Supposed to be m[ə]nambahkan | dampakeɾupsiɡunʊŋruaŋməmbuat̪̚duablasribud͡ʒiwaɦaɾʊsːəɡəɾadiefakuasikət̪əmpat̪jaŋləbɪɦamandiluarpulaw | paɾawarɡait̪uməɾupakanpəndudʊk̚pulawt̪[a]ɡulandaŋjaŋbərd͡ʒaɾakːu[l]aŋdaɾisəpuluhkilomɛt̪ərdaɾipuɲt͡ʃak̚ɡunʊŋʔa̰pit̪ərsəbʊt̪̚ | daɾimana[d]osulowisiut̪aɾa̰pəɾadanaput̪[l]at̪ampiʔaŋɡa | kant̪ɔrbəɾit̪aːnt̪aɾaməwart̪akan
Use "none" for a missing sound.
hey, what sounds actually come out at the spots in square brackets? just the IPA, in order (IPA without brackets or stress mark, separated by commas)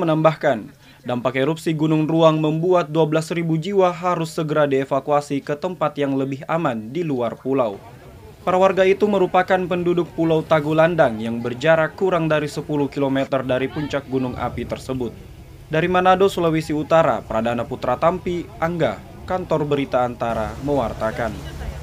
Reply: ə, a, ɾ, d, ɾ